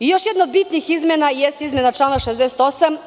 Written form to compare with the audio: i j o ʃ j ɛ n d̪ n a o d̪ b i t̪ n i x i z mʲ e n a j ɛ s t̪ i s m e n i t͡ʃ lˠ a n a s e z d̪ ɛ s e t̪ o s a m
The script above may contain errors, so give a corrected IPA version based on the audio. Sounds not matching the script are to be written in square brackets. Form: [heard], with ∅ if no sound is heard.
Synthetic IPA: i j o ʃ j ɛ [∅] d̪ n a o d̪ b i t̪ n i x i z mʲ e n a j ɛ s t̪ i [z] m e n [a] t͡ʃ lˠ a n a [ʃ] e z d̪ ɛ s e t̪ o s a m

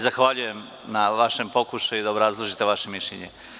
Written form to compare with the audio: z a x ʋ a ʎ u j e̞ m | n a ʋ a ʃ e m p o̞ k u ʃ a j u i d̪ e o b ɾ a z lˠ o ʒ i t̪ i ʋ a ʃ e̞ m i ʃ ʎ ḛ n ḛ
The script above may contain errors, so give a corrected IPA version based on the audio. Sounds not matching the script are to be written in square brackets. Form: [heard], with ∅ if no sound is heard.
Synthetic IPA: z a x ʋ a ʎ u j e̞ m | n a ʋ a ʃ e m p o̞ k u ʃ a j u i d̪ [a] o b ɾ a z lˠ o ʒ i t̪ [e] ʋ a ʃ e̞ m i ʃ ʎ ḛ [ɲ] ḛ

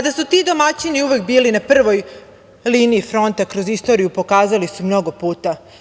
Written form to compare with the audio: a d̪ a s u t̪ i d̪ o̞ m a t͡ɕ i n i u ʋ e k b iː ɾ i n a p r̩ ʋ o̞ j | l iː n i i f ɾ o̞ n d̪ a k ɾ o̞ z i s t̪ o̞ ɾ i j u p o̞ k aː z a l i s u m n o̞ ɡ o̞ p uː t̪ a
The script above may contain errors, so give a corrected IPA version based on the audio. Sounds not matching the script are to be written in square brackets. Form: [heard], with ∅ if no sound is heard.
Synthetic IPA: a d̪ a s u t̪ i d̪ o̞ m a t͡ɕ i n i u ʋ e k b iː [l] i n a p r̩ ʋ o̞ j | l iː n i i f ɾ o̞ n [t̪] a k ɾ o̞ z i s t̪ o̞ ɾ i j u p o̞ k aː z a l i s u m n o̞ ɡ o̞ p uː t̪ a

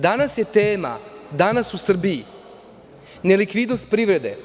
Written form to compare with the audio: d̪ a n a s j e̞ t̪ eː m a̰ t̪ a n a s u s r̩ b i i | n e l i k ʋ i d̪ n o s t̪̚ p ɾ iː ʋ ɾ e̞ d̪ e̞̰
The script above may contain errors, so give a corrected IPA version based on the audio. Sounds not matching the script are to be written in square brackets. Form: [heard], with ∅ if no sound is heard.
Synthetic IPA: d̪ a n a s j e̞ t̪ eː m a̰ [d̪] a n a s u s r̩ b i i | n e l i k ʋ i d̪ n o s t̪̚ p ɾ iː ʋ ɾ e̞ d̪ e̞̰

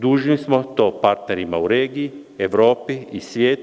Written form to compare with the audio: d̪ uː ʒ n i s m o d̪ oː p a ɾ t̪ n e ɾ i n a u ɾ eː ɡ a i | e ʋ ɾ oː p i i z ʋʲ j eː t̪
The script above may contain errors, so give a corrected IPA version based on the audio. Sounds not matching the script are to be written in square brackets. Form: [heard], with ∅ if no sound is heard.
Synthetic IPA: d̪ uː ʒ n i s m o [t̪] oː p a ɾ t̪ n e ɾ i [m] a u ɾ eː ɡ [i] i | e ʋ ɾ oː p i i [s] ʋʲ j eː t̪

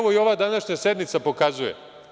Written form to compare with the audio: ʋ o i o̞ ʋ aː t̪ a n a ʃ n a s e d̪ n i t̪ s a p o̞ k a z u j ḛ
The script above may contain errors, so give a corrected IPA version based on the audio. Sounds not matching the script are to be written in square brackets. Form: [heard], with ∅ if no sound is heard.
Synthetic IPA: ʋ o i o̞ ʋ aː [d̪] a n a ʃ [ɲ] a s e d̪ n i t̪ s a p o̞ k a z u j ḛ

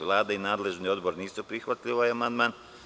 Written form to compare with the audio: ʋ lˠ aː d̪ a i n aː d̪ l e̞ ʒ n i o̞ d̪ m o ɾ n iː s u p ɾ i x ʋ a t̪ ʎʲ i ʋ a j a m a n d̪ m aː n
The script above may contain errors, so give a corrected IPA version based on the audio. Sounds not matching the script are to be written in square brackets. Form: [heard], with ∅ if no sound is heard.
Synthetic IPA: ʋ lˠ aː d̪ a i n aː d̪ l e̞ ʒ n i o̞ d̪ [b] o ɾ n iː s u p ɾ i x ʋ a t̪ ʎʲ i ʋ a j a m a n d̪ m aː n

